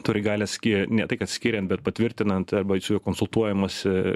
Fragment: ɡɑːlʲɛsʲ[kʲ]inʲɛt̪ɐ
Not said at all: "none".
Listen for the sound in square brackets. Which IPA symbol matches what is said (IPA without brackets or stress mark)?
kʲ